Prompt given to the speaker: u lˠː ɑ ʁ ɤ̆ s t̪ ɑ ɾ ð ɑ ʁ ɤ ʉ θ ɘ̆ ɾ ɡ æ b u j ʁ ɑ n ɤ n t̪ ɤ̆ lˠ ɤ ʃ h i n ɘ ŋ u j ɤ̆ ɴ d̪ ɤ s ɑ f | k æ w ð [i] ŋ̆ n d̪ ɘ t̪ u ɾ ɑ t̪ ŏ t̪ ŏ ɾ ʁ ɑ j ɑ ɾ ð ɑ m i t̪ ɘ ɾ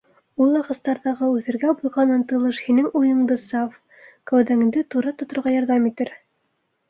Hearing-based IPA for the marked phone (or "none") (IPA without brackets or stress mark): æ